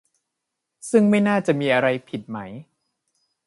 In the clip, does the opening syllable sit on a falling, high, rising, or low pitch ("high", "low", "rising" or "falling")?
falling